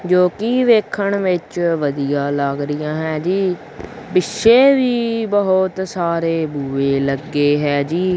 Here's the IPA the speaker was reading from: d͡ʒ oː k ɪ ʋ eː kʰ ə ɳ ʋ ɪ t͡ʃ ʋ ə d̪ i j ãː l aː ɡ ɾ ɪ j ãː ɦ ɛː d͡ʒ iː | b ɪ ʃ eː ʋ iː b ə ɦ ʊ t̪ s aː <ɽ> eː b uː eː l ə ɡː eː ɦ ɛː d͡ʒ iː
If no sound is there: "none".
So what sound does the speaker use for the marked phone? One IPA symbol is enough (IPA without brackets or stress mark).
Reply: ɾ